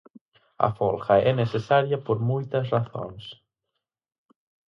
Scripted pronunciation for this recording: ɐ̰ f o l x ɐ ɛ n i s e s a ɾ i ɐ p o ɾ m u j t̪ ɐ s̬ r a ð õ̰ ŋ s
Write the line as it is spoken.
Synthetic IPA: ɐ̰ f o l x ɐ ɛ n e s e s a ɾ j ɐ p o ɾ m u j t̪ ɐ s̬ r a θ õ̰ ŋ s

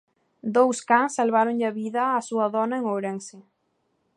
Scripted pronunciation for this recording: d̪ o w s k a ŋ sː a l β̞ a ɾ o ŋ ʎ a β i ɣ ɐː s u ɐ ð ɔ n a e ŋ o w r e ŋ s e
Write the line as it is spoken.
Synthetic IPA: d̪ o w s k a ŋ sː a l β̞ a ɾ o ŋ ʎ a β i ð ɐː s u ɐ ð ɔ n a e ŋ o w ɾ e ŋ s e

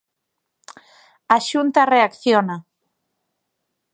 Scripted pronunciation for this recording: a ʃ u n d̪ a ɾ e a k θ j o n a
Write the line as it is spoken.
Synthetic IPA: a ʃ u n t̪ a r e a k θ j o n a

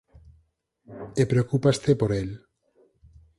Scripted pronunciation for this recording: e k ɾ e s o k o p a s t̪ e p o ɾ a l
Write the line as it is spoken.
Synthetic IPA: e p ɾ e o k u p a s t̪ e p o ɾ e l

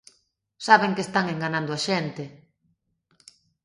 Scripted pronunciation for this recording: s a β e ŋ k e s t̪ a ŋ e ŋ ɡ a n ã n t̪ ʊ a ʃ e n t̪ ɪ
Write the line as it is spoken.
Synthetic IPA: s a β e ŋ k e s t̪ a ŋ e ŋ ɡ a n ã n d̪ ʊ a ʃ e n t̪ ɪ

